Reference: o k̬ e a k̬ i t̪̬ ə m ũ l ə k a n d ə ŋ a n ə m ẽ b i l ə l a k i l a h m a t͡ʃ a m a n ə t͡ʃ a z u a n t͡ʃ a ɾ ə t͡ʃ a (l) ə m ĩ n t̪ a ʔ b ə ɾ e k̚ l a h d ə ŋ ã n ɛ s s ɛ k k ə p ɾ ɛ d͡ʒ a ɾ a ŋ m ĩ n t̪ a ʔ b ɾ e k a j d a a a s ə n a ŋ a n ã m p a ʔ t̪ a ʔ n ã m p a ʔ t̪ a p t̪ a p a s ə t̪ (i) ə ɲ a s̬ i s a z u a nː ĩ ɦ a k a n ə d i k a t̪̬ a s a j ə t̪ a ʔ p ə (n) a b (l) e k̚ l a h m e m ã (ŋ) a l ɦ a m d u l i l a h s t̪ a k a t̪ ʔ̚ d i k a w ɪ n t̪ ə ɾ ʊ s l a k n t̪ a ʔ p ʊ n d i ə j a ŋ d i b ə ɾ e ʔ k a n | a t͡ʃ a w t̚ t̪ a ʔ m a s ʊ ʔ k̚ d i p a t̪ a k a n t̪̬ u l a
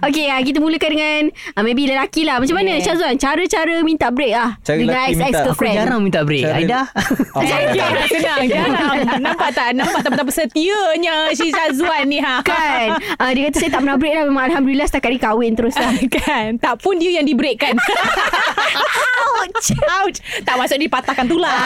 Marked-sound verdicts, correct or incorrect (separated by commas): incorrect, correct, correct, incorrect, correct